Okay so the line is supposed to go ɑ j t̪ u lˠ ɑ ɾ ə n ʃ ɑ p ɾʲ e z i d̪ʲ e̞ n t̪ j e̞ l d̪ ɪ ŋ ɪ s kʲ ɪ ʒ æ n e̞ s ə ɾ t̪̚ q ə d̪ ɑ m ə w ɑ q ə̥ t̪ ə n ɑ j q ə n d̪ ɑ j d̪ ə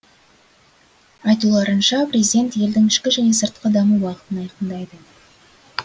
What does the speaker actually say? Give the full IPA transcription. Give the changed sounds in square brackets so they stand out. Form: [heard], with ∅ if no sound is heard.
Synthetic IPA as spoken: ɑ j t̪ u lˠ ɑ ɾ ə n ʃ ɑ p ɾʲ e z i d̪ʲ e̞ n t̪ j e̞ l d̪ ɪ ŋ ɪ [ʃ] kʲ ɪ ʒ æ n e̞ s ə ɾ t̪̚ q ə d̪ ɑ m ə w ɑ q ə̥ t̪ ə n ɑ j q ə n d̪ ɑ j d̪ ə